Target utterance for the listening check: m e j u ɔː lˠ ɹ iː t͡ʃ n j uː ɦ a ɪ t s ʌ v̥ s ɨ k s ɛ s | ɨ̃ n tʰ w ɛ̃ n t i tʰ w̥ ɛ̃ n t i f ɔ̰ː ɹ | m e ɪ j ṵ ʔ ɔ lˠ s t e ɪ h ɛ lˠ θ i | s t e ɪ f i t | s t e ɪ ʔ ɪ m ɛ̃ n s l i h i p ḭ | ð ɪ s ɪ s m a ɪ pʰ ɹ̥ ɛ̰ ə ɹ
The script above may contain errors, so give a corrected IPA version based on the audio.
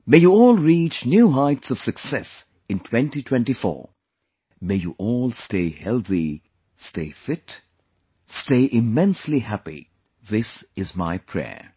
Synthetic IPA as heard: m e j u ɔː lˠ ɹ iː t͡ʃ n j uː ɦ a ɪ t s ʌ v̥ s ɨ k s ɛ s | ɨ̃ n tʰ w ɛ̃ n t i tʰ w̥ ɛ̃ n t i f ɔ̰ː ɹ | m e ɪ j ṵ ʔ ɔ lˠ s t e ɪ h ɛ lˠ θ i | s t e ɪ f ɪ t | s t e ɪ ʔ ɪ m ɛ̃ n s l i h æ p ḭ | ð ɪ s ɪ z m a ɪ pʰ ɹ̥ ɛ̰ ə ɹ